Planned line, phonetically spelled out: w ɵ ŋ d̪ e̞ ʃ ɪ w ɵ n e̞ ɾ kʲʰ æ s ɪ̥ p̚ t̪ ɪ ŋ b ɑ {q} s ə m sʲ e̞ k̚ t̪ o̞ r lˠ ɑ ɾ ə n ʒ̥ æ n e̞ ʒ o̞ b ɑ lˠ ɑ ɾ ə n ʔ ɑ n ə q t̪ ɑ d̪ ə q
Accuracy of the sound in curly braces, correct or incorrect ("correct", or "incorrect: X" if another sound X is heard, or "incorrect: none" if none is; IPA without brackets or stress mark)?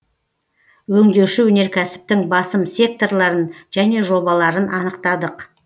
incorrect: none